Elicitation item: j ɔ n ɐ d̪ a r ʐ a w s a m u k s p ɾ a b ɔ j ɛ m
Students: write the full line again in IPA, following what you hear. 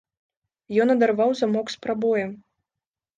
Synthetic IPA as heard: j ɔ n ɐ d̪ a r v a w z a m ɔ k s p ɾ a b ɔ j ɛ m